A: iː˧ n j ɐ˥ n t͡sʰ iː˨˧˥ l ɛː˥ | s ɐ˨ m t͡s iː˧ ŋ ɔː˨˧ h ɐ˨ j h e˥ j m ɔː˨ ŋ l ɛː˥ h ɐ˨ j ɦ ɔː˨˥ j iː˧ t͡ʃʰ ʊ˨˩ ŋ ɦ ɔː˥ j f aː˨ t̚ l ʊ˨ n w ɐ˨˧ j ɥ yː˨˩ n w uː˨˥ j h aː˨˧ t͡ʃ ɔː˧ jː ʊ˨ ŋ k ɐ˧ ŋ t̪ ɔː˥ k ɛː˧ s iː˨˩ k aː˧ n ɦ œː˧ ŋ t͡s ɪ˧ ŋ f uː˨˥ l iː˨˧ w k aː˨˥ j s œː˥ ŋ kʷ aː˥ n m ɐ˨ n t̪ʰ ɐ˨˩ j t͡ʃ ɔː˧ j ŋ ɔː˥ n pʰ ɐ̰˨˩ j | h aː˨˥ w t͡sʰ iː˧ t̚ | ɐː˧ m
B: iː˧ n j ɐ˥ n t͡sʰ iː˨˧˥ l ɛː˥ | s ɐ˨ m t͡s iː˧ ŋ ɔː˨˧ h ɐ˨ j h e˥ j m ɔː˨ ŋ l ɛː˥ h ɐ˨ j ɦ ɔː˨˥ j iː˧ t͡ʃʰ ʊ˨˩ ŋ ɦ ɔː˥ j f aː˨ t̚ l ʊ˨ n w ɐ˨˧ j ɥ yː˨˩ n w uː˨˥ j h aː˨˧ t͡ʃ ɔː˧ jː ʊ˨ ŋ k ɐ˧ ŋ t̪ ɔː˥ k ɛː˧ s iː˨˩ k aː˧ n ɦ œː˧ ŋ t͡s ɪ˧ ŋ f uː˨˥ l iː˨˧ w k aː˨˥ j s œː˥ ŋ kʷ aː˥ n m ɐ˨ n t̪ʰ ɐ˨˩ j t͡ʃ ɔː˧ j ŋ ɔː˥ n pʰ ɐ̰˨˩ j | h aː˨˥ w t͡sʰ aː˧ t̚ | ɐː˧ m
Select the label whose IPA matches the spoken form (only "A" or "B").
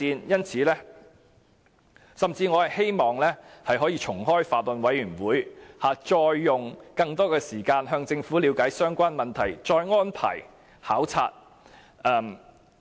B